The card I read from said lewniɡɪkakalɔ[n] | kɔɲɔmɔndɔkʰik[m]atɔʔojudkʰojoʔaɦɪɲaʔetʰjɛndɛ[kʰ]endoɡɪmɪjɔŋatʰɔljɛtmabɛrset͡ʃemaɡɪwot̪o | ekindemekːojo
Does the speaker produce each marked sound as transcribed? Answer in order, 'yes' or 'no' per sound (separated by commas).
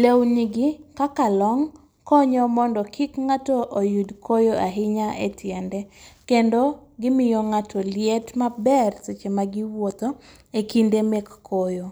no, no, no